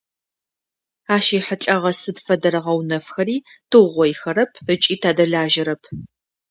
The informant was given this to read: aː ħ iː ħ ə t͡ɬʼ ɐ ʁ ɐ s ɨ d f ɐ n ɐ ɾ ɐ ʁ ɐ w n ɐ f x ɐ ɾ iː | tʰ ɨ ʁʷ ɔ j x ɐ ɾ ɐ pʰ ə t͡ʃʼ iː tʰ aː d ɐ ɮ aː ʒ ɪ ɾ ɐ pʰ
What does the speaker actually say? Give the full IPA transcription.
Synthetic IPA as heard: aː ʃ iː ħ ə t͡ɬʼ ɐ ʁ ɐ s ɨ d f ɐ d ɐ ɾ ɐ ʁ ɐ w n ɐ f x ɐ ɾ iː | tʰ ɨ ʁʷ ɔ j x ɐ ɾ ɐ pʰ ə t͡ʃʼ iː tʰ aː d ɐ ɮ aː ʒ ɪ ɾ ɐ pʰ